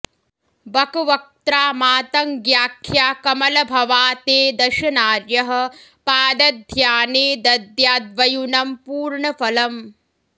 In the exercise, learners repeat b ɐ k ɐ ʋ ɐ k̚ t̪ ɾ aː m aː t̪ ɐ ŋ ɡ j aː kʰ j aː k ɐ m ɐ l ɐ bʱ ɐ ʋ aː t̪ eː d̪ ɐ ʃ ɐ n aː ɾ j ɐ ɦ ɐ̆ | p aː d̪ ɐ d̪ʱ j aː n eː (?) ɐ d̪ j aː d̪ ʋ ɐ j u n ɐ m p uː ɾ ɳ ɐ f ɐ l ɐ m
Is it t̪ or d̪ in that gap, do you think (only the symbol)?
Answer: d̪